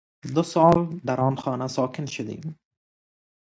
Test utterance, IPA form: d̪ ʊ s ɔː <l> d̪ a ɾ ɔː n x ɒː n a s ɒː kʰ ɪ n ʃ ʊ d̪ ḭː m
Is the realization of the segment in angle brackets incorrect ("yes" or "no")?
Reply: no